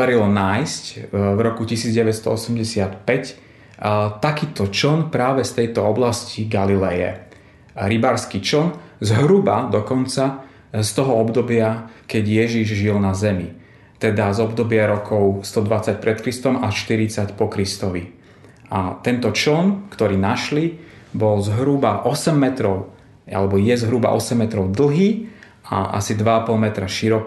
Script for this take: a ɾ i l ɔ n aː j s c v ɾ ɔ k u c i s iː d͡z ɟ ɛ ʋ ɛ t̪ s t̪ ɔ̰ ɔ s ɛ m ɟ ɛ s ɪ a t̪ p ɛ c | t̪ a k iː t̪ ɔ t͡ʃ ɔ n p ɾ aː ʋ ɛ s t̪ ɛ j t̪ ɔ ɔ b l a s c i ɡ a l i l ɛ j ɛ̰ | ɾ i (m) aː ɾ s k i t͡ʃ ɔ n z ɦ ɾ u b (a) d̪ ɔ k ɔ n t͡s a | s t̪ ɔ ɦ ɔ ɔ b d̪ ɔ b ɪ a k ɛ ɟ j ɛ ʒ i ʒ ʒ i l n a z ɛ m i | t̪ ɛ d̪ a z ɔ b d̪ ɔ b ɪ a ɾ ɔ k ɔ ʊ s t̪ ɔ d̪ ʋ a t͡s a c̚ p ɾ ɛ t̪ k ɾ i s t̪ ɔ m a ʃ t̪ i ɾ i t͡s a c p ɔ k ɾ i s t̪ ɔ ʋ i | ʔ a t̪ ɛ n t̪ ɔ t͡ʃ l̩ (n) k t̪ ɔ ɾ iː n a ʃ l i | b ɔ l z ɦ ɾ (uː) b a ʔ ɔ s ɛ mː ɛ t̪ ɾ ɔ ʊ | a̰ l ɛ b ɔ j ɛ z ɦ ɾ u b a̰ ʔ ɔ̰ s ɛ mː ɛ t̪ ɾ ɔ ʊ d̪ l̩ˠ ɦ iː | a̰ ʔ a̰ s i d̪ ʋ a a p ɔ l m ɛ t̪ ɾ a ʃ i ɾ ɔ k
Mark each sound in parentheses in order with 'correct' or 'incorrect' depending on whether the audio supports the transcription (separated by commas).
incorrect, correct, correct, incorrect